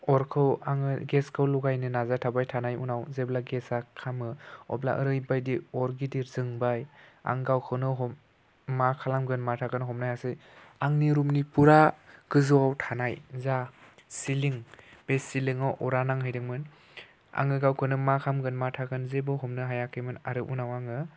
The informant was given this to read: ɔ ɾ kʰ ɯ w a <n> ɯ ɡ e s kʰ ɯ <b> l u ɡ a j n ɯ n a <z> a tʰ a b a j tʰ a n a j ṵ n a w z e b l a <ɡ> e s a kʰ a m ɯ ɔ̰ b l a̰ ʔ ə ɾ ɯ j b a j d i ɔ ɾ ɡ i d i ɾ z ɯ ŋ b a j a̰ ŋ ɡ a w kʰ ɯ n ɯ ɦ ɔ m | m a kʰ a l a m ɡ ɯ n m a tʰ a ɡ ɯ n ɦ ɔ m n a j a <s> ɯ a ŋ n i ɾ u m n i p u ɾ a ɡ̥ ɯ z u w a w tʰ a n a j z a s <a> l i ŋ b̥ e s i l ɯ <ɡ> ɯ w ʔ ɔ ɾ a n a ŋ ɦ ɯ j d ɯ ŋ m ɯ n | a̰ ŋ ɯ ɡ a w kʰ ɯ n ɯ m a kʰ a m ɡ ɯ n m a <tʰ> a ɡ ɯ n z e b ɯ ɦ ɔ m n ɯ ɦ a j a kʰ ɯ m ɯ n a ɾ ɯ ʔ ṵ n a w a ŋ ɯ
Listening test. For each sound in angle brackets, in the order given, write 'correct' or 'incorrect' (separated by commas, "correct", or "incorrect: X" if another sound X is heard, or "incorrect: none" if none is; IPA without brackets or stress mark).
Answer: incorrect: ŋ, incorrect: w, correct, correct, correct, incorrect: i, incorrect: ŋ, correct